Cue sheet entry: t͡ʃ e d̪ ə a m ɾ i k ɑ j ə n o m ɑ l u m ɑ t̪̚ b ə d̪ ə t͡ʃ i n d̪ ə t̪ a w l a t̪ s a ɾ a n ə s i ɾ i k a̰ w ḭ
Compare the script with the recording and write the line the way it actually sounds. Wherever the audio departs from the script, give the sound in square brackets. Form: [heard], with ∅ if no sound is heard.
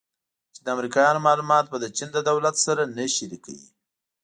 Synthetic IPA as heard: t͡ʃ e d̪ ə a m ɾ i k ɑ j [ɑ] n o m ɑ l u m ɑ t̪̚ b ə d̪ ə t͡ʃ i n d̪ ə [d̪] a w l a t̪ s a ɾ a n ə [ʃ] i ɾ i k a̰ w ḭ